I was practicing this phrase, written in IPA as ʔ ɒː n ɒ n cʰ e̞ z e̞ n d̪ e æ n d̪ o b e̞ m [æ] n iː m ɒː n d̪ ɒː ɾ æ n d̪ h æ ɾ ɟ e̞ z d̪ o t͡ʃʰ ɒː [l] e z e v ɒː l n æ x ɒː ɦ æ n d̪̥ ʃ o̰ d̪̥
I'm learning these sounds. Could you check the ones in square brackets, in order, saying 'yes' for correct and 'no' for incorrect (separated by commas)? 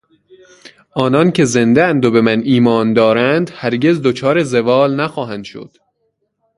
yes, no